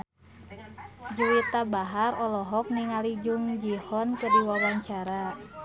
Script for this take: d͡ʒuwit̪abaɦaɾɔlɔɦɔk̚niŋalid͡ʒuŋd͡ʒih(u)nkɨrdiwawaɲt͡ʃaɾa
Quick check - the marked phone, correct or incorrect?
incorrect